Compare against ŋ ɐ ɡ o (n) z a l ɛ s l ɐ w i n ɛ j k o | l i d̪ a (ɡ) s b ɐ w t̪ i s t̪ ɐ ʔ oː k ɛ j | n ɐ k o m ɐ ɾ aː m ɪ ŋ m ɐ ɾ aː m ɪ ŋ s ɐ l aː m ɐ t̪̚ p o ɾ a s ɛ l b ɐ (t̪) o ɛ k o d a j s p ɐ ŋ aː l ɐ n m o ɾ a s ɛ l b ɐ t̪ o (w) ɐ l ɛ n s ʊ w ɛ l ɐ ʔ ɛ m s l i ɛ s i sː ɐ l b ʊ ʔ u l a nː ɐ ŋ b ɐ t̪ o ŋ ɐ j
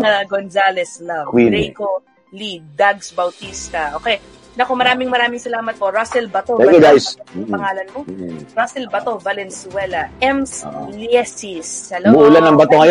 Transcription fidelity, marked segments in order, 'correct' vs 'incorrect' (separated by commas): correct, correct, correct, incorrect